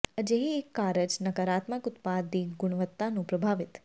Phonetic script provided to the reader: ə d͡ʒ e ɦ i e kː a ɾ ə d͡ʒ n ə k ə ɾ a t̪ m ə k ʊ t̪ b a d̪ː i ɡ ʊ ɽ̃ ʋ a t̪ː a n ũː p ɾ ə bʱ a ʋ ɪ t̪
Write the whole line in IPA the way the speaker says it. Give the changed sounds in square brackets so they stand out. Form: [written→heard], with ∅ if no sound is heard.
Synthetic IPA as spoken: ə d͡ʒ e ɦ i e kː a ɾ ə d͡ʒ n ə k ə ɾ a t̪ m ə k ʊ t̪ [b→p] a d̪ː i ɡ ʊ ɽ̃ ʋ [a→ə] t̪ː a n [ũː→ũ] p ɾ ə bʱ a ʋ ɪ t̪